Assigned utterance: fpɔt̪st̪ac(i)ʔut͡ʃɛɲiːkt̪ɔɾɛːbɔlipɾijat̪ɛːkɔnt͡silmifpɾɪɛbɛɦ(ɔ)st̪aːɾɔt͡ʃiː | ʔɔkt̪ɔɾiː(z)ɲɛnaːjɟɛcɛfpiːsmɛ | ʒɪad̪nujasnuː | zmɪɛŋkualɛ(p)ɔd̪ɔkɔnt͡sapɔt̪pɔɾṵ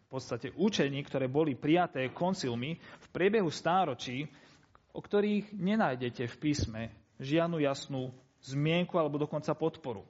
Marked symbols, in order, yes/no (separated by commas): no, no, no, no